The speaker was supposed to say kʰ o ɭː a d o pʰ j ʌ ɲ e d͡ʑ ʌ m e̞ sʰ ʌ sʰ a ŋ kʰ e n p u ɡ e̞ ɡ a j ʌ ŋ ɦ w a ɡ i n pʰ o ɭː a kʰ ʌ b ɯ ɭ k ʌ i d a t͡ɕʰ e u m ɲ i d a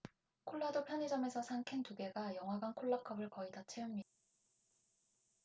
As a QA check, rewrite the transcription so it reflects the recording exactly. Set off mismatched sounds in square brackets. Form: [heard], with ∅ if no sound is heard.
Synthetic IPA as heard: kʰ o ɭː a d o pʰ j ʌ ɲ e d͡ʑ ʌ m e̞ sʰ ʌ sʰ a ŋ kʰ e n [t] u ɡ e̞ ɡ a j ʌ ŋ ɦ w a ɡ [a] n [kʰ] o ɭː a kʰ ʌ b ɯ ɭ k ʌ i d a t͡ɕʰ e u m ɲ i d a